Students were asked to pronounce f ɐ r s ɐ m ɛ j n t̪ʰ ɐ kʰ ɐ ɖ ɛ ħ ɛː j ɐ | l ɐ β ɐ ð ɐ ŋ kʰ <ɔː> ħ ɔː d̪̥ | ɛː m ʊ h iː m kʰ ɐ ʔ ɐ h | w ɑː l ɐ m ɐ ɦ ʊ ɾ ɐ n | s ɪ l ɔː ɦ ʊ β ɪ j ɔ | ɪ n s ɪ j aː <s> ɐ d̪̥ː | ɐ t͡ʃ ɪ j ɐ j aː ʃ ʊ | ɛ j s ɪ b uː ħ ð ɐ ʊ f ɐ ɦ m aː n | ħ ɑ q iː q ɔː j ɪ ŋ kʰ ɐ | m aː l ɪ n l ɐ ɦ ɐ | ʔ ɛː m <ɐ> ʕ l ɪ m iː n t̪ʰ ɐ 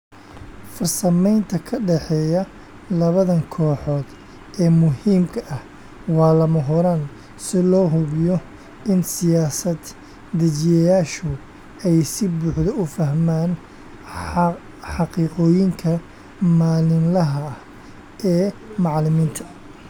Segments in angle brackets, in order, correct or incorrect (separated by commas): correct, correct, incorrect